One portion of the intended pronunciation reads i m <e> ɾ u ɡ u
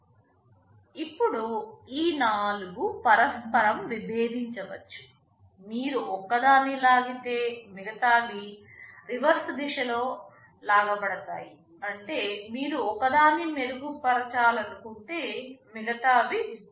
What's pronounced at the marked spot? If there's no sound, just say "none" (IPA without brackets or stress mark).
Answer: e